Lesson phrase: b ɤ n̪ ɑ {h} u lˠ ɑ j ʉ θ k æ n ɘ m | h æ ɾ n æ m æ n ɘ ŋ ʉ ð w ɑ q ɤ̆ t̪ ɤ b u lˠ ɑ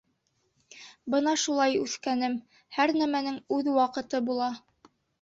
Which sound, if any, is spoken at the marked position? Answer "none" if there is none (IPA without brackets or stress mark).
ʃ